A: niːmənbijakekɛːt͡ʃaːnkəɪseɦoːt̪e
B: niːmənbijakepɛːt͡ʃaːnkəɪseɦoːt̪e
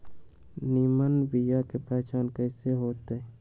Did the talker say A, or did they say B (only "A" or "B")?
B